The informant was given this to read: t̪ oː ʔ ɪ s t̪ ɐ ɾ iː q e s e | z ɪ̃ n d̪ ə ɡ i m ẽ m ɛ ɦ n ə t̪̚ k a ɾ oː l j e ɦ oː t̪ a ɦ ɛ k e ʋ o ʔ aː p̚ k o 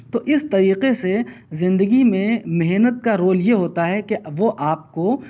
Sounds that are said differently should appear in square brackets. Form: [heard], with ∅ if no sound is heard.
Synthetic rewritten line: t̪ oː ʔ ɪ s t̪ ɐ ɾ iː q e s e | z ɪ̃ n d̪ ə ɡ i m ẽ m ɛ ɦ n ə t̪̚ k a ɾ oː l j e ɦ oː t̪ a ɦ ɛ k e ʋ o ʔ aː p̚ k o

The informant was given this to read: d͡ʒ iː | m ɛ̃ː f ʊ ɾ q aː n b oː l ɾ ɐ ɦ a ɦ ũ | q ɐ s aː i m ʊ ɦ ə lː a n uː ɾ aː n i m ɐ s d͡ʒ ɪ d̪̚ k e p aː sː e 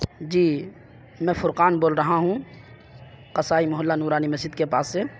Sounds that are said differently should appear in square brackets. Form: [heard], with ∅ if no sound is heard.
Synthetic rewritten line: d͡ʒ iː | m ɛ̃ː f ʊ ɾ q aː n b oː l ɾ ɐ ɦ a ɦ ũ | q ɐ s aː i m ʊ ɦ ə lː a n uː ɾ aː n i m ɐ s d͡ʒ ɪ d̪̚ k e p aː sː e

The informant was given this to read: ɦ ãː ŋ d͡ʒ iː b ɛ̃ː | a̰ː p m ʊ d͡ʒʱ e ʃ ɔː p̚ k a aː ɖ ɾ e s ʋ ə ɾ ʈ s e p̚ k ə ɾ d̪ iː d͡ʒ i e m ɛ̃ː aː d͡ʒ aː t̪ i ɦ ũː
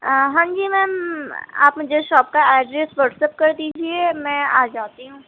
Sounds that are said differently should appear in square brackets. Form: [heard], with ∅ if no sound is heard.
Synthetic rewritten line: ɦ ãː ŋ d͡ʒ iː [m] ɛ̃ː | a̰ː p m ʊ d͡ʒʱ e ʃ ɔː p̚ k a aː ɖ ɾ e s ʋ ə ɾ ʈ s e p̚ k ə ɾ d̪ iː d͡ʒ i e m ɛ̃ː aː d͡ʒ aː t̪ i ɦ ũː

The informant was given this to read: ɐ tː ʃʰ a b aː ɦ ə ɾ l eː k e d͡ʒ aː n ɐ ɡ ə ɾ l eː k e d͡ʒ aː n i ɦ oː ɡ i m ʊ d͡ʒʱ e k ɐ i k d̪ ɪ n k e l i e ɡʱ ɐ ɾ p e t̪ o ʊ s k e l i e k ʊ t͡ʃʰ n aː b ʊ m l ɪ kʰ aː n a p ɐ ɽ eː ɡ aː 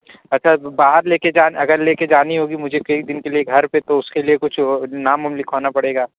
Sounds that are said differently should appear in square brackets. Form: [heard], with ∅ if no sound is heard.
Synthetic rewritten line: ɐ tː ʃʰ a b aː ɦ ə ɾ l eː k e d͡ʒ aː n ɐ ɡ ə ɾ l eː k e d͡ʒ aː n i ɦ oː ɡ i m ʊ d͡ʒʱ e k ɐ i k d̪ ɪ n k e l i e ɡʱ ɐ ɾ p e t̪ o ʊ s k e l i e k ʊ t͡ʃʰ n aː [m] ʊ m l ɪ kʰ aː n a p ɐ ɽ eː ɡ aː

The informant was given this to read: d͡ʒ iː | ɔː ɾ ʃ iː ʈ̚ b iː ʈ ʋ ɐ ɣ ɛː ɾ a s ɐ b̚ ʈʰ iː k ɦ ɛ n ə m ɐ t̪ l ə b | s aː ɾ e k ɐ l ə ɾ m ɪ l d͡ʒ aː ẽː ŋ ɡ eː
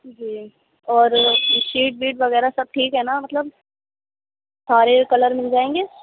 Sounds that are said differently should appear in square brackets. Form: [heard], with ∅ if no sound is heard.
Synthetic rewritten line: d͡ʒ iː | ɔː ɾ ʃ iː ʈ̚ b iː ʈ ʋ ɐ ɣ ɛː ɾ a s ɐ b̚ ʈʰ iː k ɦ ɛ n [a] m ɐ t̪ l ə b | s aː ɾ e k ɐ l ə ɾ m ɪ l d͡ʒ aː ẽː ŋ ɡ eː

